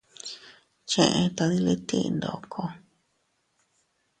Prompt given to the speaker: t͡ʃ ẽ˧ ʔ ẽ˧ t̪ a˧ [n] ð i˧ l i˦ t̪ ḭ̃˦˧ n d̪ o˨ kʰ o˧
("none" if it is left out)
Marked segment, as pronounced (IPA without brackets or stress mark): none